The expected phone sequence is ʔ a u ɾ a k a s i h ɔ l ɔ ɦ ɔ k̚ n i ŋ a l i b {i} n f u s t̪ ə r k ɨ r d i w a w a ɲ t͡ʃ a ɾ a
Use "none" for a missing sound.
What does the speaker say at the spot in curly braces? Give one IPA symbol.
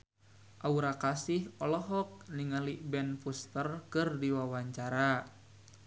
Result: ɛ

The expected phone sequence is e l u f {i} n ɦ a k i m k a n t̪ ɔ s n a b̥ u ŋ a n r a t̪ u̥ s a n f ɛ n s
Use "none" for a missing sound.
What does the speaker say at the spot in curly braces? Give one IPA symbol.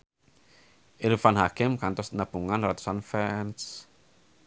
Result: a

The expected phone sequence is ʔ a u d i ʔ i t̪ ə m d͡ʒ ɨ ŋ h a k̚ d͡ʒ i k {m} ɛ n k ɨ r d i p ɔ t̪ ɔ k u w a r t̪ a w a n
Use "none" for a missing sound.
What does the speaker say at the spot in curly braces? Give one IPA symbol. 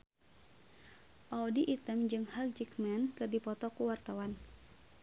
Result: m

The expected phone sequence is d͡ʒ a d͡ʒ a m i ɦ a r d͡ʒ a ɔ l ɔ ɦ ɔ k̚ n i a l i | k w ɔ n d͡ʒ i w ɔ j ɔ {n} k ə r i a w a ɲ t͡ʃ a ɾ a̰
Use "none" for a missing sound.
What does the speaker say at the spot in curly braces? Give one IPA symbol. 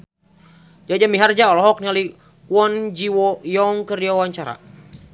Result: ŋ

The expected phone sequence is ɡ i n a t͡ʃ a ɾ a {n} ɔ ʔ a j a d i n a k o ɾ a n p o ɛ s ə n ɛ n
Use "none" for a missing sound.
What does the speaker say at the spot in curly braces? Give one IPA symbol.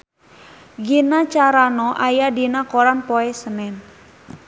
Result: n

